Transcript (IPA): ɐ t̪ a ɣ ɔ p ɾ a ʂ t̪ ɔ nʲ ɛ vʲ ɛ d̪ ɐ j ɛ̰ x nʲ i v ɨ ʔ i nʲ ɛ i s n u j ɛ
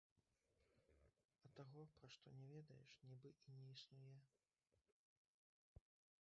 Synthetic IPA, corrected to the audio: ɐ t̪ a ɣ ɔ p ɾ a ʂ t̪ ɔ nʲ ɛ vʲ ɛ d̪ ɐ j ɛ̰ ʂ nʲ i b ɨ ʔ i nʲ ɛ i s n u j ɛ